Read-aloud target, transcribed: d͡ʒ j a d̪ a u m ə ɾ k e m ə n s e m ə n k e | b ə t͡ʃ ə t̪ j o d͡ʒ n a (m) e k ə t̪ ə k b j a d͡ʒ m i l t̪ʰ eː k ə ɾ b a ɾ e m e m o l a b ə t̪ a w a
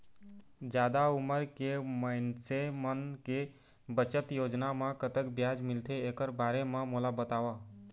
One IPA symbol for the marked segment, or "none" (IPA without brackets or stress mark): m